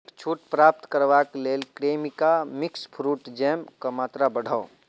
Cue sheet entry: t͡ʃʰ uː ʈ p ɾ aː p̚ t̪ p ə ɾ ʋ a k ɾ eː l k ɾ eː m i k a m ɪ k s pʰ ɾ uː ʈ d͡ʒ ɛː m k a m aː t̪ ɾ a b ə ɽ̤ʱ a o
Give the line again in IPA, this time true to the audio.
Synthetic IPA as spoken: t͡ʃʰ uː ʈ p ɾ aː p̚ t̪ k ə ɾ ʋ a k l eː l k ɾ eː m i k a m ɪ k s pʰ ɾ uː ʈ d͡ʒ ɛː m k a m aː t̪ ɾ a b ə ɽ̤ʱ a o

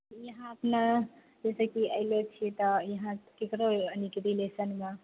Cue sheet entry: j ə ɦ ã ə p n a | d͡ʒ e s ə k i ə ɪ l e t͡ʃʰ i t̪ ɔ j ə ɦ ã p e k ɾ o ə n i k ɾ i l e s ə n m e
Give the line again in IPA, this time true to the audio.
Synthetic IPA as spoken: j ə ɦ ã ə p n a | d͡ʒ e s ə k i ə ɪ l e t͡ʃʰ i t̪ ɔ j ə ɦ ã k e k ɾ o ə n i k ɾ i l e s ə n m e

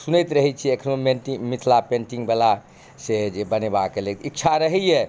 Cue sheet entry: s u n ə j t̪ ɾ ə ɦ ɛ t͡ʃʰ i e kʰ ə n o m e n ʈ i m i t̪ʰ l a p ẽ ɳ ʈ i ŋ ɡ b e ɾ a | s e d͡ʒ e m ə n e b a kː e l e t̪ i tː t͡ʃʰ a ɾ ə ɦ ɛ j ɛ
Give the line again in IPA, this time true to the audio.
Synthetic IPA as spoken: s u n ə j t̪ ɾ ə ɦ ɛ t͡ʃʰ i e kʰ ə n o m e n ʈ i m i t̪ʰ l a p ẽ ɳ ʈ i ŋ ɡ b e l a | s e d͡ʒ e b ə n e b a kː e l e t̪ i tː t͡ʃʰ a ɾ ə ɦ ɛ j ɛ

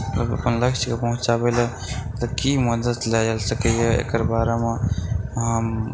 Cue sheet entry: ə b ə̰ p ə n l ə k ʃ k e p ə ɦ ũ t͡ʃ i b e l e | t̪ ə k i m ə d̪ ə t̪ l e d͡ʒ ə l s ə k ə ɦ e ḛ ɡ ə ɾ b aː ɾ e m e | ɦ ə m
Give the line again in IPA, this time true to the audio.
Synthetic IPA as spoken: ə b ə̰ p ə n l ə k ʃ k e p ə ɦ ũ t͡ʃ a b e l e | t̪ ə k i m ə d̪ ə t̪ l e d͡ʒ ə l s ə k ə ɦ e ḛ k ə ɾ b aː ɾ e m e | ɦ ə m

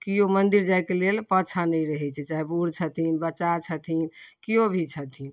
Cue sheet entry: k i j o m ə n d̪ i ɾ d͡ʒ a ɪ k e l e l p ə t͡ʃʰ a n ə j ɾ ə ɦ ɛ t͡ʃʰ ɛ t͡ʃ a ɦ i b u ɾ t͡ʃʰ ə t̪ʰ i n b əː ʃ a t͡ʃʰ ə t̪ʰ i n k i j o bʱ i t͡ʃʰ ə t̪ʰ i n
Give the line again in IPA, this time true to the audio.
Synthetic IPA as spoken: k i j o m ə n d̪ i ɾ d͡ʒ a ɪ k e l e l p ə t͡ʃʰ a n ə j ɾ ə ɦ ɛ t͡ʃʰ ɛ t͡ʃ a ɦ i b u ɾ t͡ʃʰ ə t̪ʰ i n b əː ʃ a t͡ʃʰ ə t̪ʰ i n k i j o bʱ i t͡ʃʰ ə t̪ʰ i n

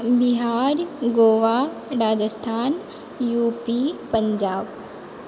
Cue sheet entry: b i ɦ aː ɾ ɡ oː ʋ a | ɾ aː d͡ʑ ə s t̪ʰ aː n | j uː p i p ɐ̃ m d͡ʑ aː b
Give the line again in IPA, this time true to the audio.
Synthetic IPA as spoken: b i ɦ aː ɾ ɡ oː ʋ a | ɾ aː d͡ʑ ə s t̪ʰ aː n | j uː p i p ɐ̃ ɲ d͡ʑ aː b

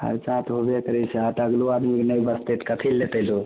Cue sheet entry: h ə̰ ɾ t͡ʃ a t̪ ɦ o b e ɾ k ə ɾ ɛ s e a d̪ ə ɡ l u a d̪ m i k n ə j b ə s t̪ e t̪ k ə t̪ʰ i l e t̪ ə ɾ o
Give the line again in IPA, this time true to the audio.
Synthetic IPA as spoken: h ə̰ ɾ t͡ʃ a t̪ ɦ o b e k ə ɾ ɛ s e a t̪ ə ɡ l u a d̪ m i k n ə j b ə s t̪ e t̪ k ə t̪ʰ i l e t̪ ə l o

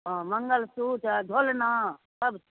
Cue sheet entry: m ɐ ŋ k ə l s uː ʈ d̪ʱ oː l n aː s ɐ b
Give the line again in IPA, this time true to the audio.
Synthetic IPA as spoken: m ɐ ŋ ɡ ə l s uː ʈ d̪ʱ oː l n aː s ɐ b

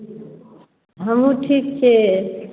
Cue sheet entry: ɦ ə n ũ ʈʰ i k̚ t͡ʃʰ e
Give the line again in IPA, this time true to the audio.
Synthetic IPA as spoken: ɦ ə m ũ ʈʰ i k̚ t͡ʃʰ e

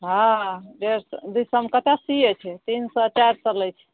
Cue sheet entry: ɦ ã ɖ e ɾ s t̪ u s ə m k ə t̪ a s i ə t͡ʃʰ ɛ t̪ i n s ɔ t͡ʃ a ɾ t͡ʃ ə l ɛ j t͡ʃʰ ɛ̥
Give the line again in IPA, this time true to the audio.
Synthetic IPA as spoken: ɦ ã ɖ e ɾ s d̪ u s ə m k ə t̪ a s i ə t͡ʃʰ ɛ t̪ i n s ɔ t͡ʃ a ɾ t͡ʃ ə l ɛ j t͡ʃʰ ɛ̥

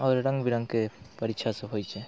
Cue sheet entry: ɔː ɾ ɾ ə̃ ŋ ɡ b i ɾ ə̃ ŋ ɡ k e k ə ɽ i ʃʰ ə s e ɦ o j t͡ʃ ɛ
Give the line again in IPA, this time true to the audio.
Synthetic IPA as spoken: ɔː ɾ ɾ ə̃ ŋ ɡ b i ɾ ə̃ ŋ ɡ k e p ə ɾ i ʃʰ a s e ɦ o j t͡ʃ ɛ

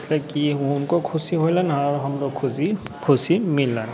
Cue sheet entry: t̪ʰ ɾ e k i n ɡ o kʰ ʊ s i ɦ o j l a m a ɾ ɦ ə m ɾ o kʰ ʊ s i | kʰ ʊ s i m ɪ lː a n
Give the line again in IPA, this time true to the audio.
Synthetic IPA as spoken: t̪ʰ l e k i n k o kʰ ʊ s i ɦ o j l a n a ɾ ɦ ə m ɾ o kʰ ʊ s i | kʰ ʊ s i m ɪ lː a n

